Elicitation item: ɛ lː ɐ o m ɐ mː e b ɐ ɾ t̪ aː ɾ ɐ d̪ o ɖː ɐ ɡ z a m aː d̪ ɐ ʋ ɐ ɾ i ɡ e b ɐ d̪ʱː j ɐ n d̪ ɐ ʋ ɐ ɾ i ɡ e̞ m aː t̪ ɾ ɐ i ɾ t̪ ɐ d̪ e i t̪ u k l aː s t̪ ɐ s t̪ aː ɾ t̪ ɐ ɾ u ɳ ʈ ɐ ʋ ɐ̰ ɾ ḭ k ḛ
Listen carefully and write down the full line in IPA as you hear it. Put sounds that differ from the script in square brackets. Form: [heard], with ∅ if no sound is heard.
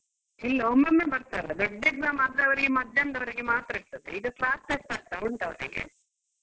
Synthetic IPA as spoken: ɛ lː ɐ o m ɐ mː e b ɐ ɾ t̪ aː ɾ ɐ d̪ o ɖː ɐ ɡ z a m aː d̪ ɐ ʋ ɐ ɾ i ɡ e [m] ɐ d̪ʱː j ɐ n d̪ ɐ ʋ ɐ ɾ i ɡ e̞ m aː t̪ ɾ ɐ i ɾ t̪ ɐ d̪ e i [d̪] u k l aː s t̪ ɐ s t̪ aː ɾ t̪ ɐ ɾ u ɳ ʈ ɐ ʋ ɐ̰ ɾ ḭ [ɡ] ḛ